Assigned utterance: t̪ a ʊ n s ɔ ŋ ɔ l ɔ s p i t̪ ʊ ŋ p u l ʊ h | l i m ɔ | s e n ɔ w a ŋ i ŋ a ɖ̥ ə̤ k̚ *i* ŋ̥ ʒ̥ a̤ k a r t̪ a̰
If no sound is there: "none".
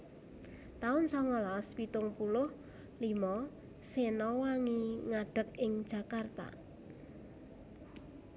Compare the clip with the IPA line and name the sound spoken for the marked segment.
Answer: ɪ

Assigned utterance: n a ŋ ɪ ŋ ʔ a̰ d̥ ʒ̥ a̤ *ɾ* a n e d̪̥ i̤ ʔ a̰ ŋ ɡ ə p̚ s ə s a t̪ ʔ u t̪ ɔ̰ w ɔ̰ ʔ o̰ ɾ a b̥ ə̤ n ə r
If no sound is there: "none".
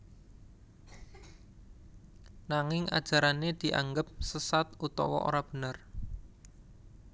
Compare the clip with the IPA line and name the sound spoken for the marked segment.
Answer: ɾ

